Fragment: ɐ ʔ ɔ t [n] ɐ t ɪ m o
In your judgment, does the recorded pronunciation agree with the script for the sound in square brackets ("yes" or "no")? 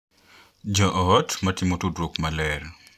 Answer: no